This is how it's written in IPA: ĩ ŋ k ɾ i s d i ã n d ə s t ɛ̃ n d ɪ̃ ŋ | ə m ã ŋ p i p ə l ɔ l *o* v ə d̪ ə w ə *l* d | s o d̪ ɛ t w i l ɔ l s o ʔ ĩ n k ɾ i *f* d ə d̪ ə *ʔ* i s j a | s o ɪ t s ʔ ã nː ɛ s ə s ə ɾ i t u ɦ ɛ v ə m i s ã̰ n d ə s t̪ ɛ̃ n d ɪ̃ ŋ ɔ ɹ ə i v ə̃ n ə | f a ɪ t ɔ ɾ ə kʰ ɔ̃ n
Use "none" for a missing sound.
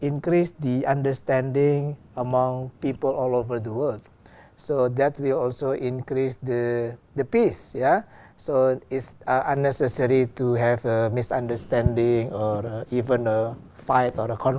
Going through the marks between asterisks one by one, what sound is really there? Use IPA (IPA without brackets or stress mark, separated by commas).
o, l, s, p